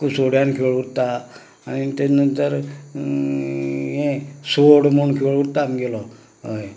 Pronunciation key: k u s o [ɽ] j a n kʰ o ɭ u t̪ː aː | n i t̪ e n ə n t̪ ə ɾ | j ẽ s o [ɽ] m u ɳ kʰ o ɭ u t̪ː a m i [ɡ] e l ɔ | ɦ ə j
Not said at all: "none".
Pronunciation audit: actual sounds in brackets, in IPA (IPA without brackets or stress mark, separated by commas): ɽ, ɽ, ɡ